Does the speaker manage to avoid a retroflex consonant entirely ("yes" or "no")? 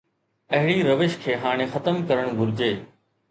no